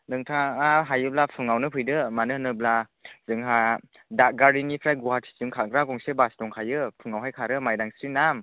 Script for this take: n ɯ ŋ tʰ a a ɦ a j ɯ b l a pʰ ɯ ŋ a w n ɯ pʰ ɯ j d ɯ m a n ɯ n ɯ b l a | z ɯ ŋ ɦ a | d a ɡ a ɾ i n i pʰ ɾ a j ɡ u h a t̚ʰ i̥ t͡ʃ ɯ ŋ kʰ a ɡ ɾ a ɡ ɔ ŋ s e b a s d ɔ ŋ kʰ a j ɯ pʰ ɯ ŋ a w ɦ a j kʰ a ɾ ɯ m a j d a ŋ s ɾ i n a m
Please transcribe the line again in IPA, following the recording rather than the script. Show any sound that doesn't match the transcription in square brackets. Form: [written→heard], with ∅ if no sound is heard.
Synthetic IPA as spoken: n ɯ ŋ tʰ a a ɦ a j ɯ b l a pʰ ɯ ŋ a w n ɯ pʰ ɯ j d ɯ m a n ɯ n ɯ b l a | z ɯ ŋ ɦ a | d a ɡ a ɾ i n i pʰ ɾ a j ɡ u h a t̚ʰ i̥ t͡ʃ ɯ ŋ kʰ a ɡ ɾ a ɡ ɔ ŋ s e b a s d ɔ ŋ kʰ a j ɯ pʰ ɯ ŋ a w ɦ a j kʰ a ɾ ɯ m a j d a ŋ s ɾ i n a m